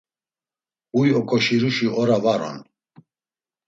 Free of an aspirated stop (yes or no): yes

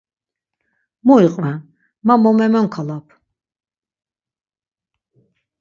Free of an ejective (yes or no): no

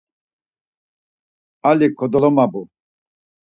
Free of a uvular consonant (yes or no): yes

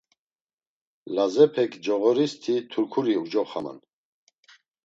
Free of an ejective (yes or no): yes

